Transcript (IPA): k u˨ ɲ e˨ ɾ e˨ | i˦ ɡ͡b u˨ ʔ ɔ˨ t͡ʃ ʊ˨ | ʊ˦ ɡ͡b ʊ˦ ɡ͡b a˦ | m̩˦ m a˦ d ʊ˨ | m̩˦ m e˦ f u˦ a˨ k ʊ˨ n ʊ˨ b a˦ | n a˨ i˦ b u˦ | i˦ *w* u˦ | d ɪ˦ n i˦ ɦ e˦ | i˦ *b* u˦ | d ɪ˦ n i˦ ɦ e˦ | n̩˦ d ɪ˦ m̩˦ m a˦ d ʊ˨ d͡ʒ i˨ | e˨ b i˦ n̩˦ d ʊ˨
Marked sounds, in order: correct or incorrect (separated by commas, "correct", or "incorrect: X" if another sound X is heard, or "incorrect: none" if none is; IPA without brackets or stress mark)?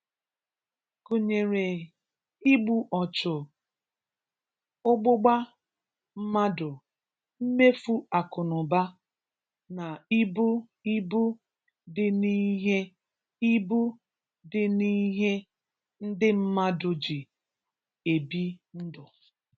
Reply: incorrect: b, correct